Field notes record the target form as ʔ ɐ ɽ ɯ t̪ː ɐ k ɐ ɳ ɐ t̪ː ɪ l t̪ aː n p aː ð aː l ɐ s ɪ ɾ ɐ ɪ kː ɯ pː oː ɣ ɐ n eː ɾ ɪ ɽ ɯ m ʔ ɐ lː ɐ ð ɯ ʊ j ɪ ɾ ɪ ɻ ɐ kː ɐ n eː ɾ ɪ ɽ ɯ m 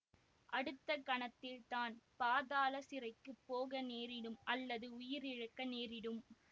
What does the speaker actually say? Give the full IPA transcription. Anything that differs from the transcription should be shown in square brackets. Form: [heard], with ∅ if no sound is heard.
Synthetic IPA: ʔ ɐ ɽ ɯ t̪ː ɐ k ɐ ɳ ɐ t̪ː ɪ l t̪ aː n p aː ð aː l ɐ s ɪ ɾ ɐ ɪ kː ɯ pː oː ɣ ɐ n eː ɾ ɪ ɽ ɯ m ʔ ɐ lː ɐ ð ɯ ʊ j ɪ ɾ ɪ ɻ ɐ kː ɐ n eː ɾ ɪ ɽ ɯ m